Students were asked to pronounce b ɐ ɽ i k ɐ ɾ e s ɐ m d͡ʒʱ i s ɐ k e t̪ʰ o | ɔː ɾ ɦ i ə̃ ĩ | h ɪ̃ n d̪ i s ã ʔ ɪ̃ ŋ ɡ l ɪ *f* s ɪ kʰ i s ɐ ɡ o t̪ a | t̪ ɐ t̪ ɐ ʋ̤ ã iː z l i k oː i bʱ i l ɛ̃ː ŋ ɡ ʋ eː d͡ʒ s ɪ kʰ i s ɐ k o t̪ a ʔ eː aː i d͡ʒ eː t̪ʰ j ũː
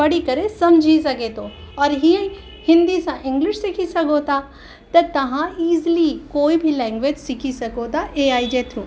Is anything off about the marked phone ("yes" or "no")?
yes